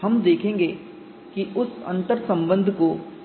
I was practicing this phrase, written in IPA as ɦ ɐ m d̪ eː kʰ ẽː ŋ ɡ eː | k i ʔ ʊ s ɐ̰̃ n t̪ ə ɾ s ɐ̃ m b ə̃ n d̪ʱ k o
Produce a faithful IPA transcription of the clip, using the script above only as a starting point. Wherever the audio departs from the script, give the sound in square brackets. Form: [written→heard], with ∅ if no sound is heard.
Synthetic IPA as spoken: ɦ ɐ m d̪ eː kʰ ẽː ŋ ɡ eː | k i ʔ ʊ s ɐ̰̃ n t̪ ə ɾ s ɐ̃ m b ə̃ n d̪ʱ k o